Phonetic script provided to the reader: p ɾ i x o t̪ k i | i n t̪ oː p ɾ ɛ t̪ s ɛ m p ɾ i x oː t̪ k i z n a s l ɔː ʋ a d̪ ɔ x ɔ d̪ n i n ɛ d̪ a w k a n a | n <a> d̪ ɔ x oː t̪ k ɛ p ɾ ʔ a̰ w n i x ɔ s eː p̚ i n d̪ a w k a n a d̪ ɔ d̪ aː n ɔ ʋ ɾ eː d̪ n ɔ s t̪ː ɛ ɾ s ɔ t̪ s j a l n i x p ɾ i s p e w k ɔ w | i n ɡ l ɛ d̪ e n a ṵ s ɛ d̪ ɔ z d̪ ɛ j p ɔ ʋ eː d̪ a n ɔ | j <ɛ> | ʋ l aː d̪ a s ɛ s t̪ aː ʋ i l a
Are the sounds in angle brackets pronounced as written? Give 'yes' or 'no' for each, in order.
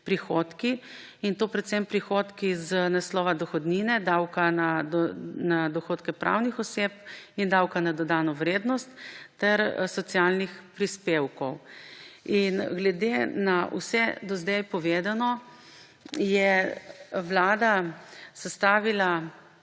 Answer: yes, yes

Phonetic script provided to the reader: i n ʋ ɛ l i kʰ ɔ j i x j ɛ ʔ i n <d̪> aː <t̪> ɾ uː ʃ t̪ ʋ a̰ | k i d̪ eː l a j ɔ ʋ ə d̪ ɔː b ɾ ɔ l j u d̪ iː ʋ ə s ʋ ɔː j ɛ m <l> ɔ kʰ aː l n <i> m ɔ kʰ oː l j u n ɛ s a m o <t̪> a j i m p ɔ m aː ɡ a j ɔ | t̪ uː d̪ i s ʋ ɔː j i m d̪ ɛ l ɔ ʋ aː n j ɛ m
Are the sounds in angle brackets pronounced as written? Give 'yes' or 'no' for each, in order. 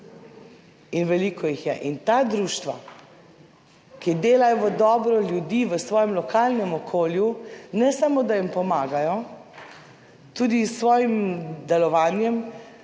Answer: no, no, yes, no, no

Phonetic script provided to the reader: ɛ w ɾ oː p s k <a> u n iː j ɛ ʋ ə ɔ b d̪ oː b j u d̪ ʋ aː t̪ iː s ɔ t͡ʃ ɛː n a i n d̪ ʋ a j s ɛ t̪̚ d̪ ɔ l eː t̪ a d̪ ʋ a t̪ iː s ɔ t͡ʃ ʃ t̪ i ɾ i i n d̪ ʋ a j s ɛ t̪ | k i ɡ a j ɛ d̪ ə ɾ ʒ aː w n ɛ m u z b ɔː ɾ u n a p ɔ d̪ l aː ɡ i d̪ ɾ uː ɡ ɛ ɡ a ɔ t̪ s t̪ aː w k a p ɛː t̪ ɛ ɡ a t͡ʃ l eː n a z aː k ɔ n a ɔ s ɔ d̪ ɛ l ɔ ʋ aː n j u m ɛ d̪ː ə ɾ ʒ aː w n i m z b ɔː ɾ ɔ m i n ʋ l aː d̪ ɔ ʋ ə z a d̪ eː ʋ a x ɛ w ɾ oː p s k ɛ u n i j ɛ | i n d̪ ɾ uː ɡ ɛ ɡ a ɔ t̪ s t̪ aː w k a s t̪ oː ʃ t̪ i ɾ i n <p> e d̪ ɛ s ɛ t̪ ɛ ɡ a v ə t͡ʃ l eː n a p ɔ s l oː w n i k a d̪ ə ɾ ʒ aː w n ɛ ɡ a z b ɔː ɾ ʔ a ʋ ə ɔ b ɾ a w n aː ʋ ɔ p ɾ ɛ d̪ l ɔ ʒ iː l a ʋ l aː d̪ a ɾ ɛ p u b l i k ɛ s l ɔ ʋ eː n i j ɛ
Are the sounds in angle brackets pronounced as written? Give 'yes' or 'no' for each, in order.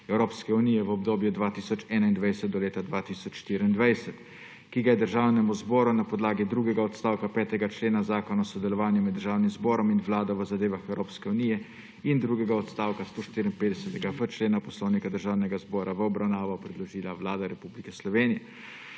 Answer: no, yes

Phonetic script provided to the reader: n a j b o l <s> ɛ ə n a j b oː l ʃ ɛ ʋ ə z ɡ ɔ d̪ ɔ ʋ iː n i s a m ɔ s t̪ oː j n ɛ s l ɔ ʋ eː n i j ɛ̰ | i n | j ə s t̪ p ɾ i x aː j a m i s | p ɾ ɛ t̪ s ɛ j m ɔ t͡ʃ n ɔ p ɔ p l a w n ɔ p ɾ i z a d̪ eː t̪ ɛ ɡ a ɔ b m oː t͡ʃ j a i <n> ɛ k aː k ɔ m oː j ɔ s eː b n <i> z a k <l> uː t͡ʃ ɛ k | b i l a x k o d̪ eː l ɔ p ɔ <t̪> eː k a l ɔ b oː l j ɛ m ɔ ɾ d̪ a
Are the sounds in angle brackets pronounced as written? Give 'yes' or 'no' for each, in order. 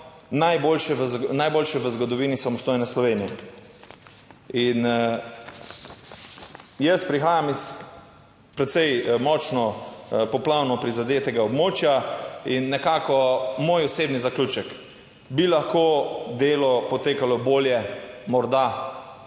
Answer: no, no, yes, yes, yes

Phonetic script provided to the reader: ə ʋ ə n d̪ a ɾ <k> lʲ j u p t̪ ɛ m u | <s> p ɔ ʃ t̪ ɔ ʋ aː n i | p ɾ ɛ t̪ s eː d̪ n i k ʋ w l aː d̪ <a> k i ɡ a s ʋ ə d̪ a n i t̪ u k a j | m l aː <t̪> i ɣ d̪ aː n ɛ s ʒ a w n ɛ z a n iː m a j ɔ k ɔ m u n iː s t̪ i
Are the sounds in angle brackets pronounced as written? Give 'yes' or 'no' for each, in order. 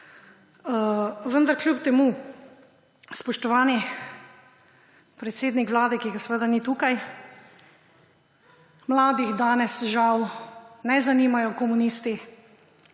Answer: yes, yes, no, no

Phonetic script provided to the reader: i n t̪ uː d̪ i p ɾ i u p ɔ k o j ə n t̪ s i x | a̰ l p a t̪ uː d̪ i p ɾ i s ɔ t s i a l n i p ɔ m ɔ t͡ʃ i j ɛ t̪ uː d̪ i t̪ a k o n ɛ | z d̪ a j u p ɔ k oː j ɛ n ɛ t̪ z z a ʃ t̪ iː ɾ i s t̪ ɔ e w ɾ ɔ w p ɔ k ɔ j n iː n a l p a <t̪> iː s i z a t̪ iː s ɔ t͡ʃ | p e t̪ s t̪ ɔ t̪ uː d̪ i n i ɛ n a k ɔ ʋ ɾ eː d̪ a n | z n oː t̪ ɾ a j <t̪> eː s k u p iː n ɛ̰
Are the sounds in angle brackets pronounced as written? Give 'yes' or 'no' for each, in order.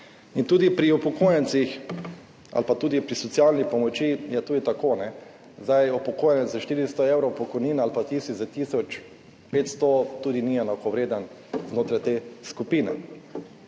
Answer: yes, yes

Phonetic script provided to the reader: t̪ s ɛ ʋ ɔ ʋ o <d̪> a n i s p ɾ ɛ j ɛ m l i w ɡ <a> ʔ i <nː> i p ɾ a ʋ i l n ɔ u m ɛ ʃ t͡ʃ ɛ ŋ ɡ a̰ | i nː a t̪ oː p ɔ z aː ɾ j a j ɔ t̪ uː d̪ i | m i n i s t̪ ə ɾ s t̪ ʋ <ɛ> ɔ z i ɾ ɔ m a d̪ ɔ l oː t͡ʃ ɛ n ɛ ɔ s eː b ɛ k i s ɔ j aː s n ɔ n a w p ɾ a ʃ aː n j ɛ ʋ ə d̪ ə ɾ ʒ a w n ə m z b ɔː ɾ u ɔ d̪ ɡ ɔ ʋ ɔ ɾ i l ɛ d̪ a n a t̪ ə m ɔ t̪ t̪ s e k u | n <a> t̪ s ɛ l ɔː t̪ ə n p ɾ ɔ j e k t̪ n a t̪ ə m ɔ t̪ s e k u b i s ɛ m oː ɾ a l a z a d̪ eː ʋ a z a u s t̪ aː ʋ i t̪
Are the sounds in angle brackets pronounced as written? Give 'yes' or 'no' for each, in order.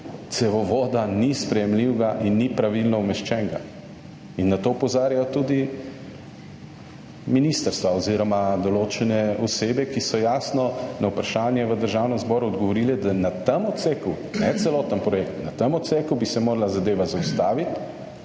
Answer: yes, yes, yes, no, no

